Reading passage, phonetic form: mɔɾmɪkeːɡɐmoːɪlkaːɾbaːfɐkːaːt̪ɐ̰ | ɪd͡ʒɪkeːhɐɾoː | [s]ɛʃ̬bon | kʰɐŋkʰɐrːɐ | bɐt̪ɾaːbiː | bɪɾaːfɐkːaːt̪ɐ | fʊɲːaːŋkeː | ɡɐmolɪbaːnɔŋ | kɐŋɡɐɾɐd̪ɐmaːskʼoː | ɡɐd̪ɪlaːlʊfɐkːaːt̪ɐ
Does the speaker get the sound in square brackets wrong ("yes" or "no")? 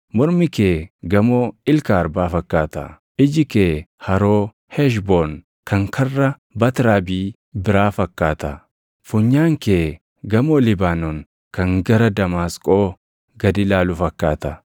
yes